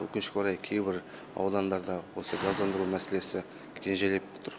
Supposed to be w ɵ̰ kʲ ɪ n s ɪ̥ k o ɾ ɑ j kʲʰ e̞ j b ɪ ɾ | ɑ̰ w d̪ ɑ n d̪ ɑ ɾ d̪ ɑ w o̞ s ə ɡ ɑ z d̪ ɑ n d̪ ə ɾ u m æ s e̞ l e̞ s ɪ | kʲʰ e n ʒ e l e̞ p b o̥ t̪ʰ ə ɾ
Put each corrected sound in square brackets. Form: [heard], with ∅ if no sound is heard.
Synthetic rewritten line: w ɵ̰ kʲ ɪ n [ʃ] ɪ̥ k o ɾ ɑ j kʲʰ e̞ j b ɪ ɾ | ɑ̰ w d̪ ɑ n d̪ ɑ ɾ d̪ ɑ w o̞ s ə ɡ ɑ z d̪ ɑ n d̪ ə ɾ u m æ s e̞ l e̞ s ɪ | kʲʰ e n ʒ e l e̞ p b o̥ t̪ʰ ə ɾ

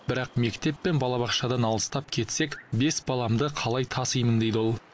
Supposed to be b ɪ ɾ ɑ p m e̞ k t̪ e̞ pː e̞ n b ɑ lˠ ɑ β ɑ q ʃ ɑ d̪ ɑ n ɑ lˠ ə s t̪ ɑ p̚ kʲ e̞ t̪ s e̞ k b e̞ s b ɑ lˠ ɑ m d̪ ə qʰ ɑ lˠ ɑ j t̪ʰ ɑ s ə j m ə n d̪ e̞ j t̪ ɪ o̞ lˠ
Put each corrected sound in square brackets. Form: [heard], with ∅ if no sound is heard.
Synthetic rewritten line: b ɪ ɾ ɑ [q] m e̞ k t̪ e̞ pː e̞ n b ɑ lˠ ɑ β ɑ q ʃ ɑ d̪ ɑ n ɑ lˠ ə s t̪ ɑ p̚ [kʲʰ] e̞ t̪ s e̞ k b e̞ s b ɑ lˠ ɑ m d̪ ə qʰ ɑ lˠ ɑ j t̪ʰ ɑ s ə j m ə n d̪ e̞ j [d̪] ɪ o̞ lˠ

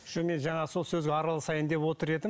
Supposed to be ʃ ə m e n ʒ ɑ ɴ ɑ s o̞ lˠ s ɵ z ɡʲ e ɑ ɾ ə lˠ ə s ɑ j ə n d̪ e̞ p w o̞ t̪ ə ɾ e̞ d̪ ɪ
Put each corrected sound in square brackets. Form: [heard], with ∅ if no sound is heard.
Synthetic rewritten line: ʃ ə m e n ʒ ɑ ɴ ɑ s o̞ lˠ s ɵ z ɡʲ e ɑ ɾ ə lˠ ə s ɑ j ə n d̪ e̞ p w o̞ t̪ ə ɾ e̞ d̪ ɪ

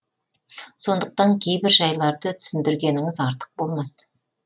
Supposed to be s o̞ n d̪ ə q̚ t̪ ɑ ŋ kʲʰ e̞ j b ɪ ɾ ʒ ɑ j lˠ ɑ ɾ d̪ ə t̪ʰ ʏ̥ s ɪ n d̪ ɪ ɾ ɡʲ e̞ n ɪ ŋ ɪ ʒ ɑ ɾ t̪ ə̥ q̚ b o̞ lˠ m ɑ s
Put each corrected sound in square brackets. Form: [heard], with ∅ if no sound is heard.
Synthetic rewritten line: s o̞ n d̪ ə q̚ t̪ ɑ ŋ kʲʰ e̞ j b ɪ ɾ ʒ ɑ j lˠ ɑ ɾ d̪ ə t̪ʰ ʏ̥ s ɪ n d̪ ɪ ɾ ɡʲ e̞ n ɪ ŋ ɪ [z] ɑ ɾ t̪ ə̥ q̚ b o̞ lˠ m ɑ s

